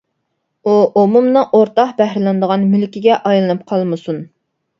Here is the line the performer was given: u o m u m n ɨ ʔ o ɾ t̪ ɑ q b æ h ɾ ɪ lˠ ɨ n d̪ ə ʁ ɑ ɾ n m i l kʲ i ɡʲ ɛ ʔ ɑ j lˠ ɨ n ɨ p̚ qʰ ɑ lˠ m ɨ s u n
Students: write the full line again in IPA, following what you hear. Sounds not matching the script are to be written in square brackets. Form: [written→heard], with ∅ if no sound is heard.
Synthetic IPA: u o m u m n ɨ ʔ o ɾ t̪ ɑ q b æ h ɾ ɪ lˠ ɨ n d̪ ə ʁ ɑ [ɾ→∅] n m [i→y] l kʲ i ɡʲ ɛ ʔ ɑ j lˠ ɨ n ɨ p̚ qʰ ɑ lˠ m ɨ s u n